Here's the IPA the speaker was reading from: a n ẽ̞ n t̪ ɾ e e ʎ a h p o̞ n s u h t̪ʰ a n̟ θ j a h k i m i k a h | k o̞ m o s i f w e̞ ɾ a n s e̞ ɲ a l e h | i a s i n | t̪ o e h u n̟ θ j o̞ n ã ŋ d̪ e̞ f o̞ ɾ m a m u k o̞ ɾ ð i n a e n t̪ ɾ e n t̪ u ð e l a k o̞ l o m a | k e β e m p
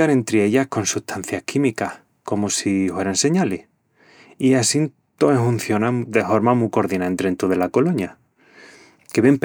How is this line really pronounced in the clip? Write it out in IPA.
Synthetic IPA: a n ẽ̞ n t̪ ɾ e e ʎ a h k o̞ n s u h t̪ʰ a n̟ θ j a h k i m i k a h | k o̞ m o s i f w e̞ ɾ a n s e̞ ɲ a l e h | i a s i n | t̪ o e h u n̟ θ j o̞ n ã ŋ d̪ e̞ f o̞ ɾ m a m u k o̞ ɾ ð i n a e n t̪ ɾ e n t̪ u ð e l a k o̞ l o ɲ a | k e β e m p